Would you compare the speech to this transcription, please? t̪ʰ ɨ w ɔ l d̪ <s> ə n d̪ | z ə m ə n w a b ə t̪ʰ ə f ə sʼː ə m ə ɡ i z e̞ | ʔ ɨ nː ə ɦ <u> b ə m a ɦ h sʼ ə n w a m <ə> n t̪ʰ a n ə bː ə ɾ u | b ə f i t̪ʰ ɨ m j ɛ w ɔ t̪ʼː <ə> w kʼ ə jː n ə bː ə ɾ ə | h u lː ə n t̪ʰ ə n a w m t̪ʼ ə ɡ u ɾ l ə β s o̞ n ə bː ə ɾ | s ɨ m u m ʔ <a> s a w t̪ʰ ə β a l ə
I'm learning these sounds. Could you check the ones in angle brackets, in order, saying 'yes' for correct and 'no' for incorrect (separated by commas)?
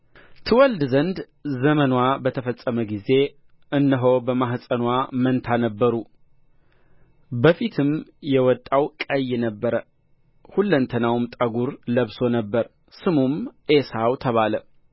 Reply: no, no, yes, no, no